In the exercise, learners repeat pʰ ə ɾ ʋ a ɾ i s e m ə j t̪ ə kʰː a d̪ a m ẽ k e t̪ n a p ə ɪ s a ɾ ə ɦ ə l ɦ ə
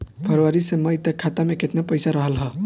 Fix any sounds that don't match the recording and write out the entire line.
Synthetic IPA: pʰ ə ɾ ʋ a ɾ i s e m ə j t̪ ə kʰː a t̪ a m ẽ k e t̪ n a p ə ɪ s a ɾ ə ɦ ə l ɦ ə

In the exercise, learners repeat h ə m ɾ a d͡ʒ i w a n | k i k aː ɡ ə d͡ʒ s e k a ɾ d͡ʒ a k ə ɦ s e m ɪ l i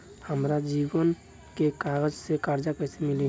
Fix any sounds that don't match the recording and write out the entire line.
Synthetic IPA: h ə m ɾ a d͡ʒ i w ə n | k e k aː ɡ ə d͡ʒ s e k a ɾ d͡ʒ a k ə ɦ s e m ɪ l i

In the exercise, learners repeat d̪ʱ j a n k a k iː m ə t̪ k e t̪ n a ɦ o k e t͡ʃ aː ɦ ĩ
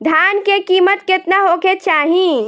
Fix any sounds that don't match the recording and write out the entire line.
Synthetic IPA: d̪ʱ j a n k e k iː m ə t̪ k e t̪ n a ɦ o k e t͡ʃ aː ɦ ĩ

